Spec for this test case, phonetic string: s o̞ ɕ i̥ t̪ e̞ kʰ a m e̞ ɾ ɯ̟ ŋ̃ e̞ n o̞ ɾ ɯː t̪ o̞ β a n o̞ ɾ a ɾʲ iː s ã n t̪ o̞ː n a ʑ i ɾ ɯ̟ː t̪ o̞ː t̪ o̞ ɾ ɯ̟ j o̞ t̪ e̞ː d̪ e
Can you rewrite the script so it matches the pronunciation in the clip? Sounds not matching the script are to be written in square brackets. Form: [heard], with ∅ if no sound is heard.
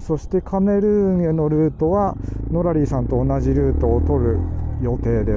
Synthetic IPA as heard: s o̞ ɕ i̥ t̪ e̞ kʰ a m e̞ ɾ ɯ̟ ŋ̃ e̞ n o̞ ɾ ɯː t̪ o̞ β a n o̞ ɾ a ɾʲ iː s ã n t̪ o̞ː n a ʑ i ɾ ɯ̟ː t̪ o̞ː t̪ o̞ ɾ ɯ̟ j o̞ t̪ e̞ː d̪ e